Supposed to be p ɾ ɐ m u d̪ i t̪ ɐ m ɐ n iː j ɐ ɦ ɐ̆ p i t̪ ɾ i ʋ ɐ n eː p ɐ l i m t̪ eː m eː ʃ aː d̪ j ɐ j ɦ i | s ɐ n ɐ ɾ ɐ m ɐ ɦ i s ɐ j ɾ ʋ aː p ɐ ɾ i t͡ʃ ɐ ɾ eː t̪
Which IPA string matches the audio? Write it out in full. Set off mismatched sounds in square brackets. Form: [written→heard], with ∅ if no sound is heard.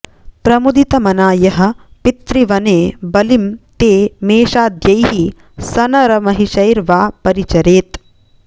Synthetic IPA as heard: p ɾ ɐ m u d̪ i t̪ ɐ m ɐ n [iː→aː] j ɐ ɦ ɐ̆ p i t̪ ɾ i ʋ ɐ n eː [p→b] ɐ l i m t̪ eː m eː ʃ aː d̪ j ɐ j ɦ i | s ɐ n ɐ ɾ ɐ m ɐ ɦ i [s→ʃ] ɐ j ɾ ʋ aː p ɐ ɾ i t͡ʃ ɐ ɾ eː t̪